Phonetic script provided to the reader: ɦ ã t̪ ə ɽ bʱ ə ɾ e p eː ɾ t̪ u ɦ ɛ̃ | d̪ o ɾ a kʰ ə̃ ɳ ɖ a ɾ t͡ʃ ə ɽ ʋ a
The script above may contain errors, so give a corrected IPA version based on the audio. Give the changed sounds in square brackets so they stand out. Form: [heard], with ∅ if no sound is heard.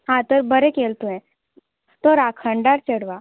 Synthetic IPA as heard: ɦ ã t̪ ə [ɾ] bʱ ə ɾ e [k] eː [l] t̪ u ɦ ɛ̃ | [t̪] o ɾ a kʰ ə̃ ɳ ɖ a ɾ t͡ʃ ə ɽ ʋ a